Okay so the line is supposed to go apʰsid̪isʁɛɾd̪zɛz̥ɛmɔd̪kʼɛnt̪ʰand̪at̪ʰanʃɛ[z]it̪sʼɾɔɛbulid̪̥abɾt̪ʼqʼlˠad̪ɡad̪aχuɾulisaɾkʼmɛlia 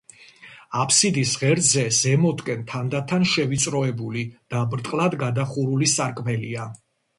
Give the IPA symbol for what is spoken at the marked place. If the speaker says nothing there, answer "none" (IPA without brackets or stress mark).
v